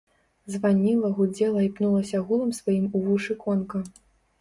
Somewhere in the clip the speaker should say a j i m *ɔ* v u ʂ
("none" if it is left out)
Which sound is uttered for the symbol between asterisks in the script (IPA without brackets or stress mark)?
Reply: u